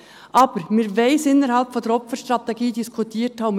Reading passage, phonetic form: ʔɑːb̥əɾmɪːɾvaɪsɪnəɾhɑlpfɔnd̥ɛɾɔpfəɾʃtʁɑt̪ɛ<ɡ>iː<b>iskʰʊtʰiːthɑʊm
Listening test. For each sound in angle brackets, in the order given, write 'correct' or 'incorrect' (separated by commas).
correct, incorrect